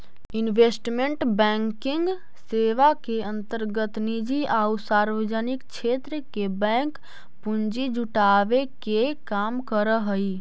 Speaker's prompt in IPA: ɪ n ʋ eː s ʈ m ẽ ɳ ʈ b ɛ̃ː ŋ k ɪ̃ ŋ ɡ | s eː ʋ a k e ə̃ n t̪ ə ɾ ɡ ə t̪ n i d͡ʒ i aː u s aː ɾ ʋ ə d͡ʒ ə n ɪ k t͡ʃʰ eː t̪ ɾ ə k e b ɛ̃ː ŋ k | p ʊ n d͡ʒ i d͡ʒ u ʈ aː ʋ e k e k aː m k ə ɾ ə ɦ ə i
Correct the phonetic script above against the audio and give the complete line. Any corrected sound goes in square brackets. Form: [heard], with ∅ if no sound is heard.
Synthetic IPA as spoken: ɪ n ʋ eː s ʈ m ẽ ɳ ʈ b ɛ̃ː ŋ k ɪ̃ ŋ ɡ | s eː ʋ a k e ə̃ n t̪ ə ɾ ɡ ə t̪ n i d͡ʒ i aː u s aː ɾ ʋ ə d͡ʒ ə n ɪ k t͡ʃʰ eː t̪ ɾ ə k e b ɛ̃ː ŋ k | p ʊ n d͡ʒ i d͡ʒ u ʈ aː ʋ e k e k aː m k ə ɾ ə ɦ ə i